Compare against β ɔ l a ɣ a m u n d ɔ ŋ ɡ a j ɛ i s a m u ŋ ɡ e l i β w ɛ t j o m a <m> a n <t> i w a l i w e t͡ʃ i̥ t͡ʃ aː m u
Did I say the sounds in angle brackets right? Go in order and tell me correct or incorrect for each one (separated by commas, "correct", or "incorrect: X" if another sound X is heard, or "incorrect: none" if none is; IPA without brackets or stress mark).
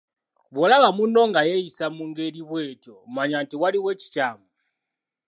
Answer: incorrect: ɲ, correct